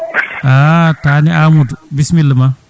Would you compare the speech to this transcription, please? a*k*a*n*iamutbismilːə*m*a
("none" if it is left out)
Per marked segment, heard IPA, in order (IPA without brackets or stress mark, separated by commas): t, n, m